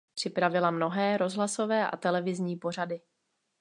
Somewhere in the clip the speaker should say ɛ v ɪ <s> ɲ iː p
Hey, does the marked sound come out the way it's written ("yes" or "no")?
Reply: no